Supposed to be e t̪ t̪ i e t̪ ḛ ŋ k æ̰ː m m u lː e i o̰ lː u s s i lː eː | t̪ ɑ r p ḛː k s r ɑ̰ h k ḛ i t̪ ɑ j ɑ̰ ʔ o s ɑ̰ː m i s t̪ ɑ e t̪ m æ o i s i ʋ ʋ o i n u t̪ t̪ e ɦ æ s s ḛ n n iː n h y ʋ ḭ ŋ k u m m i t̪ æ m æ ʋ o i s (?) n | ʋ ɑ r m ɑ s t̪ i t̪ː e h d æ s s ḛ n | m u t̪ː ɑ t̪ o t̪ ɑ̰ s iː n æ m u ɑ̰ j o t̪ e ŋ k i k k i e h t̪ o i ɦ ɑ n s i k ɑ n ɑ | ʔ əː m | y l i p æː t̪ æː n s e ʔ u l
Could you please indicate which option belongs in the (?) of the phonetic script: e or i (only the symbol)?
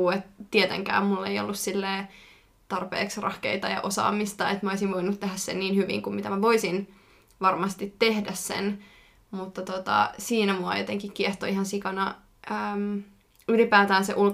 i